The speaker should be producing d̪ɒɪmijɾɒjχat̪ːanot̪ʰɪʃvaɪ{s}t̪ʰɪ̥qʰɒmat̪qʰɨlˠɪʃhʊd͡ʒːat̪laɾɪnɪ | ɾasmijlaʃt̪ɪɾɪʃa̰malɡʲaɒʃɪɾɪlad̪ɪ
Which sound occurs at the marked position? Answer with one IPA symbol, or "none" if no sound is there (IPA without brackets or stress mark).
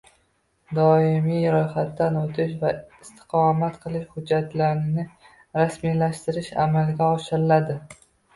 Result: s